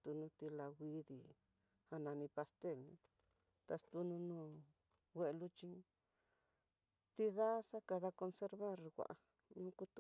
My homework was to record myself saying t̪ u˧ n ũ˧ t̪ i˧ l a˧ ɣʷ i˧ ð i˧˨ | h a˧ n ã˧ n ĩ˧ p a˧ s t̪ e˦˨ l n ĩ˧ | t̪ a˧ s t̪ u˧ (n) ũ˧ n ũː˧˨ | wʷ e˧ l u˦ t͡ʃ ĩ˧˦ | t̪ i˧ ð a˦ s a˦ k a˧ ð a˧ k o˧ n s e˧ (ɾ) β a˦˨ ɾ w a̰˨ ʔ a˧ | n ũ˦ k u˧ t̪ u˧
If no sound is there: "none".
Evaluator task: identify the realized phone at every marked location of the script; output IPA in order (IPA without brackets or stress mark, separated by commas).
n, ɾ